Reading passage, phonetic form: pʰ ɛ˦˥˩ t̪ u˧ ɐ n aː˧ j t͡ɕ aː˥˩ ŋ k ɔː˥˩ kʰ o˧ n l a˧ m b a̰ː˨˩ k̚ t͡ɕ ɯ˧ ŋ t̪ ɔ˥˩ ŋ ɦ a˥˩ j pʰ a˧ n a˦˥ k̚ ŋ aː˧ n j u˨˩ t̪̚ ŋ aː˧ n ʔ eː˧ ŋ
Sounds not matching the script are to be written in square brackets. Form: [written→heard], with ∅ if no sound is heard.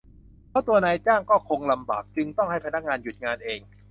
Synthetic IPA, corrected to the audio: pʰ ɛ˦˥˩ t̪ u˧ ɐ n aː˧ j t͡ɕ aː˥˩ ŋ k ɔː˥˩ kʰ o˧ [n→ŋ] l a˧ m b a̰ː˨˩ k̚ t͡ɕ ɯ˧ ŋ t̪ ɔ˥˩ ŋ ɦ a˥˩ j pʰ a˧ n a˦˥ k̚ ŋ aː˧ n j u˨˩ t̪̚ ŋ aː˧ n ʔ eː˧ ŋ

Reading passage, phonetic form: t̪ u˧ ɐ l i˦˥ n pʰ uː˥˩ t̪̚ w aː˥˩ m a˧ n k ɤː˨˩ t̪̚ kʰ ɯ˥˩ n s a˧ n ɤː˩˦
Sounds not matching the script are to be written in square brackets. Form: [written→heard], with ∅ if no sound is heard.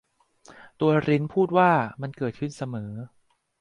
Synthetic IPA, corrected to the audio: t̪ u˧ ɐ [l→ɾ] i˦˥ n pʰ uː˥˩ t̪̚ w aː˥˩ m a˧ n k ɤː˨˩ t̪̚ kʰ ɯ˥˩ n s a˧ [n→m] ɤː˩˦

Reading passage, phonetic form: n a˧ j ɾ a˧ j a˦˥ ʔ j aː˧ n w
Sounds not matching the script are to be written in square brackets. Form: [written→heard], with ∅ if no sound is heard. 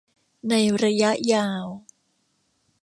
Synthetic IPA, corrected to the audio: n a˧ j ɾ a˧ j a˦˥ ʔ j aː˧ [n→∅] w

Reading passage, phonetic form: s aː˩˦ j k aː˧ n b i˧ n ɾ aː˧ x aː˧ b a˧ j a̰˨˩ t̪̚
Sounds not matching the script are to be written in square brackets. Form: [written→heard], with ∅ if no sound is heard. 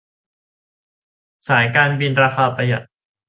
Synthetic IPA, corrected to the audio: s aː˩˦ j k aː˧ n b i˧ n ɾ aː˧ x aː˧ [b→p] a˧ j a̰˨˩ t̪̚

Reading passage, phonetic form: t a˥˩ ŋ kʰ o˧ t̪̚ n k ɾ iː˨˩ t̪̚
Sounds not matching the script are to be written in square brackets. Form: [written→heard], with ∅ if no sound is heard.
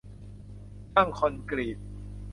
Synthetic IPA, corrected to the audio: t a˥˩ ŋ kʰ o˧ [t̪̚→∅] n k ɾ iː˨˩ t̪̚

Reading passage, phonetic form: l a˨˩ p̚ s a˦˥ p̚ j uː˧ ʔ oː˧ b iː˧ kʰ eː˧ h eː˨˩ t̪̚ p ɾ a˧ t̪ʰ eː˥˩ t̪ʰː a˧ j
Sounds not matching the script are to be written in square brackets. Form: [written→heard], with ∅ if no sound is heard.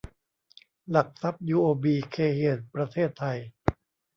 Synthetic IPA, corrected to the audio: l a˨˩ [p̚→k̚] s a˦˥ p̚ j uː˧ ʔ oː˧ b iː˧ kʰ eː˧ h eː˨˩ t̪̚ p ɾ a˧ t̪ʰ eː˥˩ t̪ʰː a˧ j

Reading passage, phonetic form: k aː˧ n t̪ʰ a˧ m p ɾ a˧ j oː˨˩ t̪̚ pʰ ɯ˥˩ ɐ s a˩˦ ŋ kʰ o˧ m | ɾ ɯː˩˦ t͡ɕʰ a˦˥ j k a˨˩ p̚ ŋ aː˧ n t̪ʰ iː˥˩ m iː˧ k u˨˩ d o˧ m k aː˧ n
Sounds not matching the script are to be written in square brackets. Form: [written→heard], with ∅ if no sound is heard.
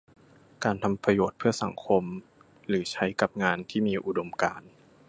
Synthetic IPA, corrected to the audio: k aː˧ n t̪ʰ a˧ m p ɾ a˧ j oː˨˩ t̪̚ pʰ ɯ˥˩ ɐ s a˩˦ ŋ kʰ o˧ m | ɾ ɯː˩˦ t͡ɕʰ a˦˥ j k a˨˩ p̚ ŋ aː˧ n t̪ʰ iː˥˩ m iː˧ [k→ʔ] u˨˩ d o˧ m k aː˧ n

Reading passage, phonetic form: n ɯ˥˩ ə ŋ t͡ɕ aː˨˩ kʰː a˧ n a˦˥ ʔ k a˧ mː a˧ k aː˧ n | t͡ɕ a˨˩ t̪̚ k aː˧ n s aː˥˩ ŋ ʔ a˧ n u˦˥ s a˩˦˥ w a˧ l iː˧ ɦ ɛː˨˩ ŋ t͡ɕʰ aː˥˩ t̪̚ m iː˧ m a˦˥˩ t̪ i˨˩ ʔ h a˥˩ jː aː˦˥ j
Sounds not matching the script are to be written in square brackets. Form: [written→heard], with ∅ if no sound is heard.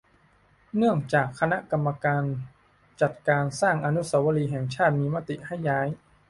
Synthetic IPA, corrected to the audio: n ɯ˥˩ ə ŋ t͡ɕ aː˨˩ kʰː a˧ n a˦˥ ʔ k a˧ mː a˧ k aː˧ n | t͡ɕ a˨˩ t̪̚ k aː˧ n s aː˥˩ ŋ ʔ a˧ n u˦˥ s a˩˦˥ w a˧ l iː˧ ɦ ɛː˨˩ ŋ t͡ɕʰ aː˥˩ t̪̚ m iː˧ m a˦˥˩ t̪ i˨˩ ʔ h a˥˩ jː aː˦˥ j

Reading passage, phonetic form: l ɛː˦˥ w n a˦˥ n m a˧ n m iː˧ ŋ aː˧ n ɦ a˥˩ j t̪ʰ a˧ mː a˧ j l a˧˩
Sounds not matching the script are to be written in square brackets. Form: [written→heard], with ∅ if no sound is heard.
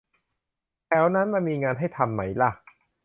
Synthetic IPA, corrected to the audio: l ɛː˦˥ w n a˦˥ n m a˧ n m iː˧ ŋ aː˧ n ɦ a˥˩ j t̪ʰ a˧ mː [a˧→a˦˥] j l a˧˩

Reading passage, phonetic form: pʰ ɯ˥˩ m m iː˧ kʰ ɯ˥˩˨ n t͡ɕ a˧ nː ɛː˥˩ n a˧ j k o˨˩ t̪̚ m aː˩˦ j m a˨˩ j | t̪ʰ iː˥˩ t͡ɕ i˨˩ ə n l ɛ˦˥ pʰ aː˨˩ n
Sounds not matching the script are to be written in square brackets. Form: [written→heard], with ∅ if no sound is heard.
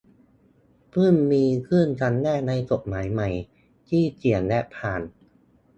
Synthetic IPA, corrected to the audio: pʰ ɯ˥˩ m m iː˧ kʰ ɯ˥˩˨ n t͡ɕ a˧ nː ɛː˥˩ n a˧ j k o˨˩ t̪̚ m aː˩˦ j m a˨˩ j | t̪ʰ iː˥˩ t͡ɕ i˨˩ ə n l ɛ˦˥ pʰ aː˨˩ n

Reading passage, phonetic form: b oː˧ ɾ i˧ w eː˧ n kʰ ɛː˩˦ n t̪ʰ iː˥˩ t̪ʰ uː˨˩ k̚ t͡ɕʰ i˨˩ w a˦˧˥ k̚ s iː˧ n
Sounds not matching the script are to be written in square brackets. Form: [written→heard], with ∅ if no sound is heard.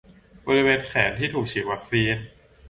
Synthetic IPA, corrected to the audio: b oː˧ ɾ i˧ w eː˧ n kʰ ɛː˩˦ n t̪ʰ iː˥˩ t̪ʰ uː˨˩ k̚ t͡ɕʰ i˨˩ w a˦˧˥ k̚ s iː˧ n

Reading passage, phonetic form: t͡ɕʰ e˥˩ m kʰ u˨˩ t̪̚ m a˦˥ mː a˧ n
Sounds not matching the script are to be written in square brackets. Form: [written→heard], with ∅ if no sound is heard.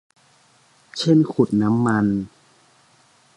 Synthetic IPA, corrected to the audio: t͡ɕʰ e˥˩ [m→n] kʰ u˨˩ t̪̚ [m→n] a˦˥ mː a˧ n

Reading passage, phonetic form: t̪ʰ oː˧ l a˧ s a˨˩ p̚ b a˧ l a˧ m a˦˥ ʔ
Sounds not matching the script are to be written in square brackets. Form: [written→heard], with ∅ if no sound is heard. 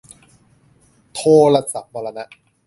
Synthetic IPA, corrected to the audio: t̪ʰ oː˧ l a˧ s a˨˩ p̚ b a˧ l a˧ [m→n] a˦˥ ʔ

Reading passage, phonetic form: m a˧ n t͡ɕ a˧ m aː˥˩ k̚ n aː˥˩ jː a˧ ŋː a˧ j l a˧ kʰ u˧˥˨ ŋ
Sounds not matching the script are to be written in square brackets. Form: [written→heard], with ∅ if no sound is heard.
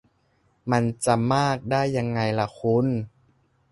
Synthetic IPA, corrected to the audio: m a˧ n t͡ɕ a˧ m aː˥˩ k̚ [n→d] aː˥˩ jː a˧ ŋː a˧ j l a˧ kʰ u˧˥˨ [ŋ→n]

